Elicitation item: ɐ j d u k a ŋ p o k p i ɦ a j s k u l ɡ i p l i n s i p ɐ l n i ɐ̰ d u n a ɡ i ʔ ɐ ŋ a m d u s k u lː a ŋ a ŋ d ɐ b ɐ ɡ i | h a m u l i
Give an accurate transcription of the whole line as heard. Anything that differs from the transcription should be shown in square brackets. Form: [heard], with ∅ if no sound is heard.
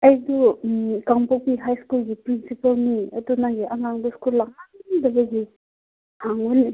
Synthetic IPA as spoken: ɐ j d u k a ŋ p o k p i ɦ a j s k u l ɡ i p [ɾ] i n s i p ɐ l n i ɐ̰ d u n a ɡ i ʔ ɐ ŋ a [ŋ] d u s k u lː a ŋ a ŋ d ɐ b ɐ ɡ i | h a [ŋ] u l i